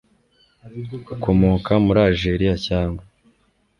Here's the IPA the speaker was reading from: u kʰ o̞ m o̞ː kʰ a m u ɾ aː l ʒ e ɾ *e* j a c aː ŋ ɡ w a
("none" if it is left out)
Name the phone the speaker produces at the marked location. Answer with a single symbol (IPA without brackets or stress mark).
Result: i